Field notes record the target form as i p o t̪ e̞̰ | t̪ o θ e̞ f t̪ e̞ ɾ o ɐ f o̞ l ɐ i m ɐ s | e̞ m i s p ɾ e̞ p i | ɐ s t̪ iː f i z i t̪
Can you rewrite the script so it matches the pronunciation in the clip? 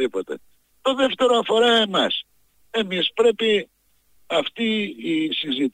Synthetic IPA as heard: i p o t̪ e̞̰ | t̪ o ð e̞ f t̪ e̞ ɾ o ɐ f o̞ ɾ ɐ e m ɐ s | e̞ m i s p ɾ e̞ p i | ɐ f t̪ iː s i z i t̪